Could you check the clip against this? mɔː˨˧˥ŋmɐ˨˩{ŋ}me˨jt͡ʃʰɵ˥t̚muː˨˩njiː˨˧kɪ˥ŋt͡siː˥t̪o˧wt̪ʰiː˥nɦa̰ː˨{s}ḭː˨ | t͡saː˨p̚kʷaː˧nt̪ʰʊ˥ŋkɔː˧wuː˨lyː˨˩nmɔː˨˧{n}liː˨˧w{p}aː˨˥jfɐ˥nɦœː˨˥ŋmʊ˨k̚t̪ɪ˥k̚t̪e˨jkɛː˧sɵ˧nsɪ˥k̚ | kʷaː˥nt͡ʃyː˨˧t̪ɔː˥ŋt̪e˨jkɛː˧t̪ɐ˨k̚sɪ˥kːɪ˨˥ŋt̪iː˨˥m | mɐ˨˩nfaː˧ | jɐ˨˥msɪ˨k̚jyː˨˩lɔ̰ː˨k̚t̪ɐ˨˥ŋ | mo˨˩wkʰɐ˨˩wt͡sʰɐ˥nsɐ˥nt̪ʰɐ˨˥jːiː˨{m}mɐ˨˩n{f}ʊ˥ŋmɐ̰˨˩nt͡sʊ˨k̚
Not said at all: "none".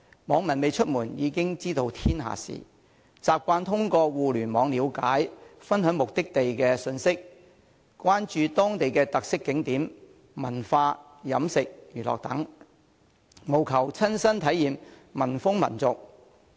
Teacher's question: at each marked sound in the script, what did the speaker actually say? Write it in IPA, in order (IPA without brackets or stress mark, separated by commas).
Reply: n, s, ŋ, k, m, f